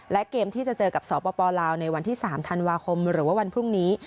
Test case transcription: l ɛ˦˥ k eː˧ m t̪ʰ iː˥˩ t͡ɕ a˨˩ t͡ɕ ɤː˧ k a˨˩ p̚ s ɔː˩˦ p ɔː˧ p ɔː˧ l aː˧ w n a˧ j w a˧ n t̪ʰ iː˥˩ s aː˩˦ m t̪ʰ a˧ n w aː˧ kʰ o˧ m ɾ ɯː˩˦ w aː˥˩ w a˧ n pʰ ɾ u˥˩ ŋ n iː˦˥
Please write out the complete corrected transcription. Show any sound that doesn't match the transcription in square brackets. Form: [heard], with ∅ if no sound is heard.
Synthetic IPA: l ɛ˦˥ k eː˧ m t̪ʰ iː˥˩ t͡ɕ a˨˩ t͡ɕ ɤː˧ k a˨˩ p̚ s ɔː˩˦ p ɔː˧ p ɔː˧ l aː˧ w n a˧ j w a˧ n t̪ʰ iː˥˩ s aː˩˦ m t̪ʰ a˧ n w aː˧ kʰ o˧ m ɾ ɯː˩˦ w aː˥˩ w a˧ n pʰ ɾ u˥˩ ŋ n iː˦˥